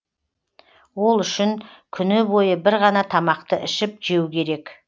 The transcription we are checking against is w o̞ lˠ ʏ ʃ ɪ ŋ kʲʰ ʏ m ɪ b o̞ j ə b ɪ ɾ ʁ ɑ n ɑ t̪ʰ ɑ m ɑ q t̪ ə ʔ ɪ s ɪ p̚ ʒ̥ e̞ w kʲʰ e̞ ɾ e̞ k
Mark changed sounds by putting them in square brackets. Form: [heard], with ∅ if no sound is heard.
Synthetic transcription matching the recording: w o̞ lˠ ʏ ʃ ɪ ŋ kʲʰ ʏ [n] ɪ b o̞ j ə b ɪ ɾ ʁ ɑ n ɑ t̪ʰ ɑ m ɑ q t̪ ə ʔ ɪ [ʃ] ɪ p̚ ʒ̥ e̞ w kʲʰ e̞ ɾ e̞ k